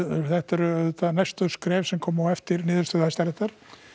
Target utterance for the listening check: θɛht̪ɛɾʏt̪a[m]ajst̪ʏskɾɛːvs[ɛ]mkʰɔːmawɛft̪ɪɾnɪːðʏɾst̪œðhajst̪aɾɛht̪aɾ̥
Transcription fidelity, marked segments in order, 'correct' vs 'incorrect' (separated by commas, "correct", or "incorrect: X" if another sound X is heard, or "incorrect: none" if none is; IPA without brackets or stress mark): incorrect: n, correct